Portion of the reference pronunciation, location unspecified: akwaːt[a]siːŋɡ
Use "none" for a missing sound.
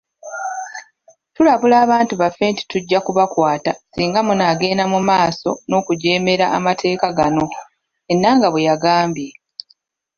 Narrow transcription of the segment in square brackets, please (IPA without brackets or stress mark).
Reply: a